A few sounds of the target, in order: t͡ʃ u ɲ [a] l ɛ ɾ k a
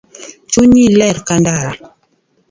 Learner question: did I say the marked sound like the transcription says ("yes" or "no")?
no